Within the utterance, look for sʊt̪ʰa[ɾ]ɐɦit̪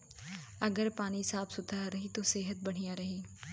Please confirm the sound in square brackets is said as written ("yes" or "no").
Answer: yes